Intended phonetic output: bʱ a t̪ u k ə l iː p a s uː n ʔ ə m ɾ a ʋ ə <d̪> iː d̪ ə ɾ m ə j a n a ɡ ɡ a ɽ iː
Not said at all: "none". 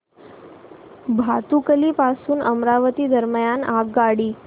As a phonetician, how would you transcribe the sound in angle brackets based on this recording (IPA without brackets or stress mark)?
t̪